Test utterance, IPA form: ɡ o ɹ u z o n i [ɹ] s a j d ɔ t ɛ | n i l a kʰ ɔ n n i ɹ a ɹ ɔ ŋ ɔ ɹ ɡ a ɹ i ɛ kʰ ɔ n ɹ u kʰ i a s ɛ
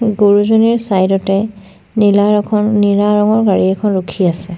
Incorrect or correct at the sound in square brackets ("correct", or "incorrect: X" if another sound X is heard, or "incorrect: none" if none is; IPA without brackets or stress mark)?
correct